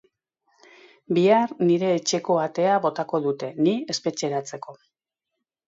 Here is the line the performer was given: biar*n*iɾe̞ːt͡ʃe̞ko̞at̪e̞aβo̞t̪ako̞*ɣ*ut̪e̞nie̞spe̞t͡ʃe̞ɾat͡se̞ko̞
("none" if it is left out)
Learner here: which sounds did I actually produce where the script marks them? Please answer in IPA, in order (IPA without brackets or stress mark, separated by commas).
n, ð